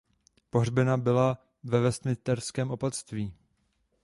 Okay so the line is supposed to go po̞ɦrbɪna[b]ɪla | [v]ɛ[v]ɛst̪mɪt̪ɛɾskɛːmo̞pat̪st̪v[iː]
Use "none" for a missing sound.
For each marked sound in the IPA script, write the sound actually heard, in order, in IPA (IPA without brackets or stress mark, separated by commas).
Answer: b, v, v, iː